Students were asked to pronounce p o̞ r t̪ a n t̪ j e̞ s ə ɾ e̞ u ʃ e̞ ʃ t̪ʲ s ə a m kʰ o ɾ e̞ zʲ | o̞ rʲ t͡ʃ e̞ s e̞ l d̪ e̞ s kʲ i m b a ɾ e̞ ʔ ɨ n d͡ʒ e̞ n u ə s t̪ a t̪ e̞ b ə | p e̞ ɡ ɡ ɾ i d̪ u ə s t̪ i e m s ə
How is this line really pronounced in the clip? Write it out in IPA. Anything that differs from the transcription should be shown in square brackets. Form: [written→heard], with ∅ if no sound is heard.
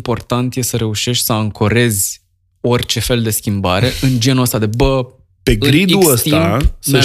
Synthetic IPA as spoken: p o̞ r t̪ a n t̪ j e̞ s ə ɾ e̞ u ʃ e̞ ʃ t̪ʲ s ə a [m→ŋ] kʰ o ɾ e̞ zʲ | o̞ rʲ t͡ʃ e̞ [s→f] e̞ l d̪ e̞ s kʲ i m b a ɾ e̞ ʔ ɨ n d͡ʒ e̞ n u ə s t̪ a [t̪→d̪] e̞ b ə | p e̞ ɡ ɡ ɾ i d̪ u ə s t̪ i [e→a] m s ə